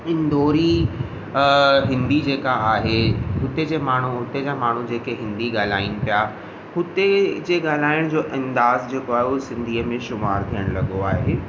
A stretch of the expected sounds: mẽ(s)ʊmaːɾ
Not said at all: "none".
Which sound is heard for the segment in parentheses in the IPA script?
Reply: ʃ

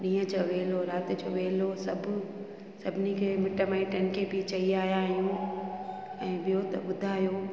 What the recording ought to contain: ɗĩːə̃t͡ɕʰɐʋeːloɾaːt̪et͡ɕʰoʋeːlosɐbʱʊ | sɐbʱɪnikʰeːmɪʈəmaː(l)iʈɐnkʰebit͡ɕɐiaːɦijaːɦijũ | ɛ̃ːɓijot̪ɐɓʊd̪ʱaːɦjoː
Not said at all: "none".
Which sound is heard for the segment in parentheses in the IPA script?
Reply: none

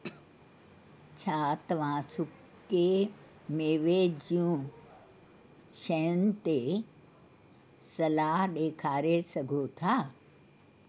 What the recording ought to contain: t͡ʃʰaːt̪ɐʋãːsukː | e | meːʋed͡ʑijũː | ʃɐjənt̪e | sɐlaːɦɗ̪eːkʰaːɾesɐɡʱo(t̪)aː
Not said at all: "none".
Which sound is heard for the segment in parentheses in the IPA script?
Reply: t̪ʰ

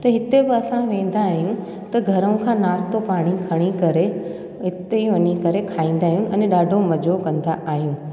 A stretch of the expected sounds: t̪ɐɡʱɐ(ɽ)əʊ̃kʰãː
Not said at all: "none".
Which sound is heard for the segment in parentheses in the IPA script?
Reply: ɾ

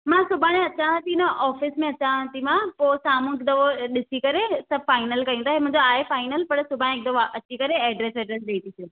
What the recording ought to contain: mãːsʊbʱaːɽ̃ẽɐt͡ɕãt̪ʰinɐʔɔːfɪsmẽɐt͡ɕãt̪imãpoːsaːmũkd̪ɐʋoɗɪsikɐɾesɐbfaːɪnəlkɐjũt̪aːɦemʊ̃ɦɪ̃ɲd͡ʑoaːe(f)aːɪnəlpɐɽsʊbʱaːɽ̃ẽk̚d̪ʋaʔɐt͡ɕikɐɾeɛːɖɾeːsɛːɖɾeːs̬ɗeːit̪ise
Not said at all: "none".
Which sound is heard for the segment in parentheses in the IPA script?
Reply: f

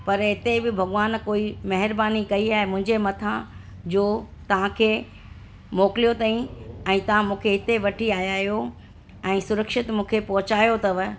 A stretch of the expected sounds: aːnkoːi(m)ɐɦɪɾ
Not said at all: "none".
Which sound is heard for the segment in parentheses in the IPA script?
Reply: m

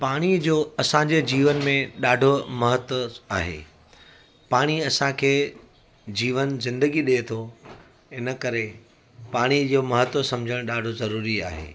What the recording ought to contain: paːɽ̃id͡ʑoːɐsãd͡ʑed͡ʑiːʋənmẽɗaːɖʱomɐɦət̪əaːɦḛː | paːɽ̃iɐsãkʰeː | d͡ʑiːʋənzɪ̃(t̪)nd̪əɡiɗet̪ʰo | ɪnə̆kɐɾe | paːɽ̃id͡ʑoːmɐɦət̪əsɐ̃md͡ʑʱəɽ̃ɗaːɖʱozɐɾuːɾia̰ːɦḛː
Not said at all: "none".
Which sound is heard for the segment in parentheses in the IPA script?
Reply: none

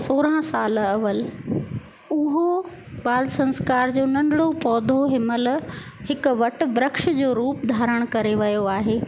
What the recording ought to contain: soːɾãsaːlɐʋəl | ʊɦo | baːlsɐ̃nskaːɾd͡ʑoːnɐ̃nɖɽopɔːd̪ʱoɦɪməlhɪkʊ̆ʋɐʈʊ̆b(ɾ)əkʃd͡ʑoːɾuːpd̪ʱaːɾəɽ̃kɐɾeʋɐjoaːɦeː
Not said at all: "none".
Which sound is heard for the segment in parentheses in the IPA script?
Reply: ɾ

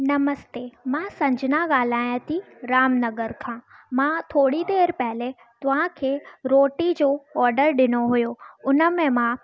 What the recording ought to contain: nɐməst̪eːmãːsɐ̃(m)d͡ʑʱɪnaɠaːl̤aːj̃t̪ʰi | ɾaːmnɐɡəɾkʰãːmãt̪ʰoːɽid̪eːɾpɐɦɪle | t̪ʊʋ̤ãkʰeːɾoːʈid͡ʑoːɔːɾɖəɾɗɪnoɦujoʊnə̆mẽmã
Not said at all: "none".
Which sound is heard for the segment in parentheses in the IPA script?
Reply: ɲ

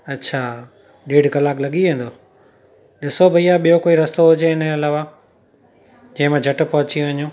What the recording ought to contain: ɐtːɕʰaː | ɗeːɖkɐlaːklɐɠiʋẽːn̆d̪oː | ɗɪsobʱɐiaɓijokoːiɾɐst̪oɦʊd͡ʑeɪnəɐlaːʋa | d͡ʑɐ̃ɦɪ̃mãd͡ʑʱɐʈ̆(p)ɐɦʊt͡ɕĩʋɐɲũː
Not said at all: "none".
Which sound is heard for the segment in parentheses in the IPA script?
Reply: p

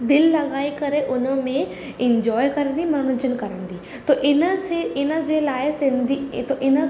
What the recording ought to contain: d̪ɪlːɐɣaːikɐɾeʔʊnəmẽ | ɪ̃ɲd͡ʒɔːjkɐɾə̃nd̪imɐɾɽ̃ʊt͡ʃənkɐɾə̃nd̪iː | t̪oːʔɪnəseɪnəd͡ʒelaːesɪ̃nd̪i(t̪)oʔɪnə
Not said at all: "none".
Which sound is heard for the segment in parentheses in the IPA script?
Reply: t̪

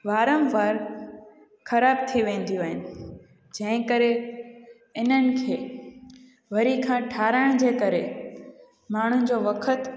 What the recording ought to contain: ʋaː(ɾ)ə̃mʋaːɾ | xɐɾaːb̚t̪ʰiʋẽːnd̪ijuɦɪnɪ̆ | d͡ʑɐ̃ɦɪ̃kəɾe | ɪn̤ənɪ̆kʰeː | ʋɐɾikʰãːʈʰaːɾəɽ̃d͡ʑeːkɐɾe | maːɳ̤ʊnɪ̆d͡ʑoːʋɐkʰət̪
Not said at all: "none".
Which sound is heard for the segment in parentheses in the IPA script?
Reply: ɾ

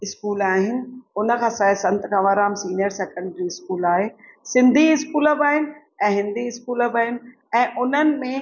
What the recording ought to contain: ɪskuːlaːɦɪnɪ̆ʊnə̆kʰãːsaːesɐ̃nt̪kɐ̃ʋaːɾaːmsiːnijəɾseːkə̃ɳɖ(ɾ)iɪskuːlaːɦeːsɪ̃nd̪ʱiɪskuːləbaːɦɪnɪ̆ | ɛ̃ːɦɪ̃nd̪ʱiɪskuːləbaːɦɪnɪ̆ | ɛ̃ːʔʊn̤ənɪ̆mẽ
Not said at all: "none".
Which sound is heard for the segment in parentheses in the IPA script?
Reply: ɾ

